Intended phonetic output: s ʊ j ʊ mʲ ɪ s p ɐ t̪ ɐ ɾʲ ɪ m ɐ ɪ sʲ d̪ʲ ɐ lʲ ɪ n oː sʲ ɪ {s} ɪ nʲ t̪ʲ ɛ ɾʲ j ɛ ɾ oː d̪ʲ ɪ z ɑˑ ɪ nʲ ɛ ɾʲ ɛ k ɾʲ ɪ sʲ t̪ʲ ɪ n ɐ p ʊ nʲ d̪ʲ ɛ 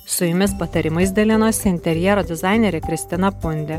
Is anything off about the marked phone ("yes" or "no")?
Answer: yes